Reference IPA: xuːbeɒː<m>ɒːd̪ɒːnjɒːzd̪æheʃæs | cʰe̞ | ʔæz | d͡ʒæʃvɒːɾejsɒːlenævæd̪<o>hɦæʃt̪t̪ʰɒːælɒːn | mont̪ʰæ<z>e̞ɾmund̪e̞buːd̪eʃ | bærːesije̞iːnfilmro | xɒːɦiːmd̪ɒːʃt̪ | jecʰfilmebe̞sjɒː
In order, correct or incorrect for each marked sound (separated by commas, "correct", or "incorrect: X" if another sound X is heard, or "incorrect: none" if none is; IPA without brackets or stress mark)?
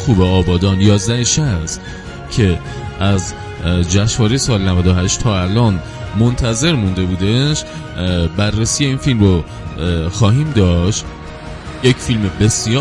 incorrect: b, correct, correct